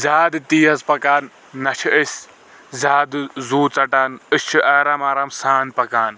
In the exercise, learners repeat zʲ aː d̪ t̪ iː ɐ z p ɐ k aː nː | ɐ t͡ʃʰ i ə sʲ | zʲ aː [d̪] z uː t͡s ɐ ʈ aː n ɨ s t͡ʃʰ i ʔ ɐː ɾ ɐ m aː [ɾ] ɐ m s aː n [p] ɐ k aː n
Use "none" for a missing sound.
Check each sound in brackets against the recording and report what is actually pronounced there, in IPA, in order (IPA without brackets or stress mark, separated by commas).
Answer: d̪, ɾ, p